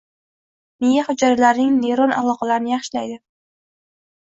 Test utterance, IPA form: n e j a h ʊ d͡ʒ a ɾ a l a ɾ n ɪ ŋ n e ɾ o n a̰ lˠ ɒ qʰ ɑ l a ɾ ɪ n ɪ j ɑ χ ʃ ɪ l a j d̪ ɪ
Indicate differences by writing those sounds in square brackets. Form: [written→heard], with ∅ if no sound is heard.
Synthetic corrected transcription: n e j a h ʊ d͡ʒ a ɾ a l a ɾ n ɪ ŋ n e ɾ o n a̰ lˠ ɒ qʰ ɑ l a ɾ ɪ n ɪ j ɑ χ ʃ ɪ l a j d̪ ɪ